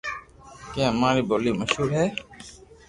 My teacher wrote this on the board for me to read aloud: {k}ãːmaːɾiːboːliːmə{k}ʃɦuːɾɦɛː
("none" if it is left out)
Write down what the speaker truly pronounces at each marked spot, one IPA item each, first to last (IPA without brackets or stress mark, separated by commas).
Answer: k, none